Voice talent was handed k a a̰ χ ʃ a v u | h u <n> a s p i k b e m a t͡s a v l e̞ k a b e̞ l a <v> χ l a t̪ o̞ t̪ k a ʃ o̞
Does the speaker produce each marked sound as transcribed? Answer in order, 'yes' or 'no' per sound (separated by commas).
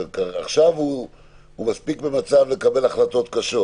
no, no